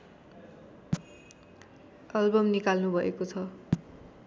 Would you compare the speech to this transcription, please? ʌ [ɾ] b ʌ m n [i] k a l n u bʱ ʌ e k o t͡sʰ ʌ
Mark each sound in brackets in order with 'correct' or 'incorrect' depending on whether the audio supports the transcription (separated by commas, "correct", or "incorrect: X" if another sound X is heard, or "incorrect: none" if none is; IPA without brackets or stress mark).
incorrect: l, correct